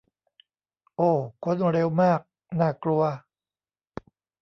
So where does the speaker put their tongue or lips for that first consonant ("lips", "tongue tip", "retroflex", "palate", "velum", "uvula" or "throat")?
throat